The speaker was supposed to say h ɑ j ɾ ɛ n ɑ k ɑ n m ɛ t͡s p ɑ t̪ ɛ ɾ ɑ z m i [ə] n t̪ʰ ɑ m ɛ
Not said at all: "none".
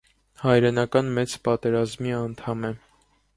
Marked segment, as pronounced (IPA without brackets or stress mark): ɑ